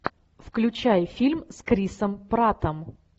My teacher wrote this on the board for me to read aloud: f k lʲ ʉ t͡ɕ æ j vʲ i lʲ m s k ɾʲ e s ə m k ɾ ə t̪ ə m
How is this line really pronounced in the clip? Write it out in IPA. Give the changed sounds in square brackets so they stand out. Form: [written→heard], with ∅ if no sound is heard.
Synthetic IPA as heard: f k lʲ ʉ t͡ɕ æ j [vʲ→fʲ] i lʲ m s k ɾʲ [e→i] s ə m [k→p] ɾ [ə→a] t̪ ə m